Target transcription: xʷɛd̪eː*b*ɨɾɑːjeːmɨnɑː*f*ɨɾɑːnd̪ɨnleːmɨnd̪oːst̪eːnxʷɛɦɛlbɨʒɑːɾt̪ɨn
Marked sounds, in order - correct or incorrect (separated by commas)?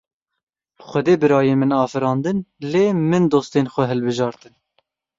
correct, correct